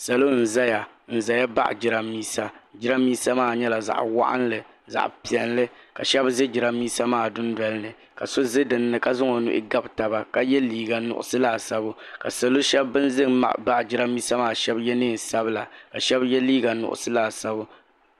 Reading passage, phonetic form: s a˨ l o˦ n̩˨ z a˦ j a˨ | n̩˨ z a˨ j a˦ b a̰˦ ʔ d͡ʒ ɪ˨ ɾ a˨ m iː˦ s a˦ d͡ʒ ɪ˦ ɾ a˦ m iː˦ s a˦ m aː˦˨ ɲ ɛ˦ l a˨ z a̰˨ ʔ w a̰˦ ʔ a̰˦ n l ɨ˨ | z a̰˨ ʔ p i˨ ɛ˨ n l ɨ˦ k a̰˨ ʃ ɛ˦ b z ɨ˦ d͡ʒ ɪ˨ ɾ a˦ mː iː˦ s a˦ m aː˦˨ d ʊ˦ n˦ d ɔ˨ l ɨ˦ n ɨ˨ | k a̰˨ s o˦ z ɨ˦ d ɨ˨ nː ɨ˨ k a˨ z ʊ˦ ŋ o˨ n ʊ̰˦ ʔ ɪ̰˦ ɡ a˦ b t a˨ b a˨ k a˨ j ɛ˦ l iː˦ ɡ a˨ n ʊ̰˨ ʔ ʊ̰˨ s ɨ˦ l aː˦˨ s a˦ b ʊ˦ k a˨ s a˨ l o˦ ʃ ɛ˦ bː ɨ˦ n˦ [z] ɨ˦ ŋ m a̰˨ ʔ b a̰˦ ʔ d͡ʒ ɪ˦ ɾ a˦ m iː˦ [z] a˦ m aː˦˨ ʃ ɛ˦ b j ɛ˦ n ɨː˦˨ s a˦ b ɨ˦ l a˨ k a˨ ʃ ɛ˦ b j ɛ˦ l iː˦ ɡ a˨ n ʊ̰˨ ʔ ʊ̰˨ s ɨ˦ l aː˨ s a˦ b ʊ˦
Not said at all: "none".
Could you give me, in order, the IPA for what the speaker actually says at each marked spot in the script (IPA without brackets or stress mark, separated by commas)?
z, s